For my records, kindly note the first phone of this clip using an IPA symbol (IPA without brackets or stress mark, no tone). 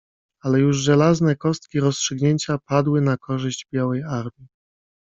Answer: a